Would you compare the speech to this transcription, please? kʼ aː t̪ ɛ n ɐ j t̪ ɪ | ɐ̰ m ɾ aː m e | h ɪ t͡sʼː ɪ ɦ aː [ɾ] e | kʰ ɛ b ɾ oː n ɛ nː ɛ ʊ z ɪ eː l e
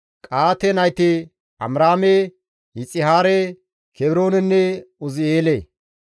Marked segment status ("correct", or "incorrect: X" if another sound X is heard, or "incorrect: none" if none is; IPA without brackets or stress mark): correct